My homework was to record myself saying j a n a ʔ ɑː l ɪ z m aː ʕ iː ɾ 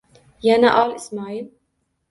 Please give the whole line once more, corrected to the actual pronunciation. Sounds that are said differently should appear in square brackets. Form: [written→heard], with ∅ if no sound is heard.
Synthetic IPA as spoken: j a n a ʔ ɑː l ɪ [z→s] m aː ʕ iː [ɾ→l]